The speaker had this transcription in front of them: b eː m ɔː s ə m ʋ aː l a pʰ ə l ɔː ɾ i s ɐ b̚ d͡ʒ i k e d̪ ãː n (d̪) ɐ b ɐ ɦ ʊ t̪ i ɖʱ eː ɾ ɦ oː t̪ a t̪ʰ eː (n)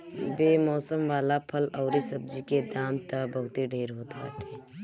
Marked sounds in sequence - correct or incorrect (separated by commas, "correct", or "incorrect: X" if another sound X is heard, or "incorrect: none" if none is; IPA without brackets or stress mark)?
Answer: incorrect: t̪, incorrect: none